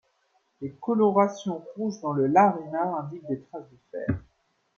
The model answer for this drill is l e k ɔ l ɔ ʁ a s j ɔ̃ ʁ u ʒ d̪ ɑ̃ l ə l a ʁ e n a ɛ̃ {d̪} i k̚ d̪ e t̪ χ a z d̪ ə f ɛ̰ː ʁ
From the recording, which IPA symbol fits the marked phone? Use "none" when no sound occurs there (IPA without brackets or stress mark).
d̪